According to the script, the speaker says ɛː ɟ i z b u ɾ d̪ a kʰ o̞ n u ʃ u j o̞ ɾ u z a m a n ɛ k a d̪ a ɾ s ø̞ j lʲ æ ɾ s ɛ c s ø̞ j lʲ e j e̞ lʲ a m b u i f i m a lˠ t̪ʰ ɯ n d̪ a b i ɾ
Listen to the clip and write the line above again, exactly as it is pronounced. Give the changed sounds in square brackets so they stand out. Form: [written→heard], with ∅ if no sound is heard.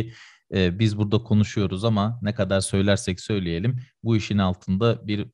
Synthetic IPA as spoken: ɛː [ɟ→b] i z b u ɾ d̪ a kʰ o̞ n u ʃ u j o̞ ɾ u z a m a n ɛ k a d̪ a ɾ s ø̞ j lʲ æ ɾ s ɛ c s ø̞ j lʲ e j e̞ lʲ [a→i] m b u i [f→ʃ] i [m→n] a lˠ t̪ʰ ɯ n d̪ a b i ɾ